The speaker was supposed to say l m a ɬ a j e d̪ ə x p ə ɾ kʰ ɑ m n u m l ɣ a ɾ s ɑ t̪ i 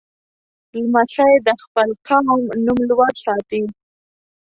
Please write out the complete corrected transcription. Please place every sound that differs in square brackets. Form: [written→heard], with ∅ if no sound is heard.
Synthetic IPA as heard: l m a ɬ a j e d̪ ə x p ə [ɾ→l] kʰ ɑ m n u m l [ɣ→w] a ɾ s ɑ t̪ i